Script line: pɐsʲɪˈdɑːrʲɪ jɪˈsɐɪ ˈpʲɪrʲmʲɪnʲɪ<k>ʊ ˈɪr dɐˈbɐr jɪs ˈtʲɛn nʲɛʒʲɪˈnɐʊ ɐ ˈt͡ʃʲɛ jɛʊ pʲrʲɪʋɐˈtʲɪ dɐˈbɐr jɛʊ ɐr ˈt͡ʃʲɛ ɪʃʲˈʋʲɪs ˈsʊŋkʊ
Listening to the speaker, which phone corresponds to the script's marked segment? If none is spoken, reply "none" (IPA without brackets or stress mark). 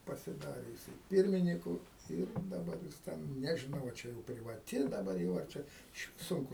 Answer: k